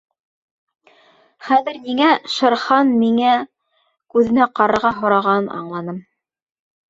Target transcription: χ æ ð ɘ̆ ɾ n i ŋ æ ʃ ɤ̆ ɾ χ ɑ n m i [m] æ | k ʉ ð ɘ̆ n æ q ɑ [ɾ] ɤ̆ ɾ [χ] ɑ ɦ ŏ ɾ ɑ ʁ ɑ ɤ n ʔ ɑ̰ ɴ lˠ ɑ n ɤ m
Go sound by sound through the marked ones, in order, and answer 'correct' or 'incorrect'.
incorrect, correct, incorrect

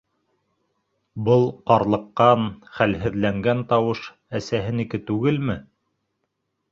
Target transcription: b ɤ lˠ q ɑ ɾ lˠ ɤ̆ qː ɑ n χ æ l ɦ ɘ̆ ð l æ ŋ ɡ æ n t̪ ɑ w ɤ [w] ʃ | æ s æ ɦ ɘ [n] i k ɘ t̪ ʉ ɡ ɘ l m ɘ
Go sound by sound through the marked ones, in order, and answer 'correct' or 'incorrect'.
incorrect, correct

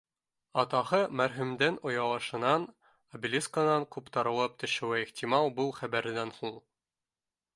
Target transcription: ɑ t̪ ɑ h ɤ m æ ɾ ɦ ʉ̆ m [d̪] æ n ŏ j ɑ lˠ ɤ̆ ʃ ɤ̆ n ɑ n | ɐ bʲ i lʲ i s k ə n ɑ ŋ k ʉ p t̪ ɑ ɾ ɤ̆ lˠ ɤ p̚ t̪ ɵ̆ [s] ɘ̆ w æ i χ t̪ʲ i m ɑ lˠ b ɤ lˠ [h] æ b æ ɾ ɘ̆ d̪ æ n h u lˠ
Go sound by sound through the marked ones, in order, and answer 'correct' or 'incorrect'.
correct, incorrect, incorrect

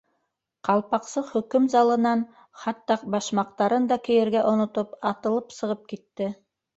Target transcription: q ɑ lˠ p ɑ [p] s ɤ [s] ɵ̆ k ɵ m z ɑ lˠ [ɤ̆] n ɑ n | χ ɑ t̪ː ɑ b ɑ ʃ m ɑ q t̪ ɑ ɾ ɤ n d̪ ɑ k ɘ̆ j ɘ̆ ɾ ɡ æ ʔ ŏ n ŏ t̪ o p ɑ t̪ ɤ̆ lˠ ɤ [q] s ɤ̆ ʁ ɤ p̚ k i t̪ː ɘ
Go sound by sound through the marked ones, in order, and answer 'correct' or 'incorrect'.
incorrect, incorrect, correct, incorrect

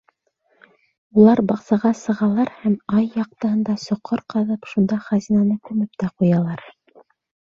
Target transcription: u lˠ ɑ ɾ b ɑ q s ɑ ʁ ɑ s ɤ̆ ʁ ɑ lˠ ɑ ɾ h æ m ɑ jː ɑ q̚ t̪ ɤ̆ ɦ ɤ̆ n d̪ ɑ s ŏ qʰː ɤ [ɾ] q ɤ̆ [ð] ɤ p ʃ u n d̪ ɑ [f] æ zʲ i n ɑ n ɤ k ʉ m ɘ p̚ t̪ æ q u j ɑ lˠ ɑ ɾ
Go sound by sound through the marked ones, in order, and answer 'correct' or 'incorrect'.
correct, correct, incorrect

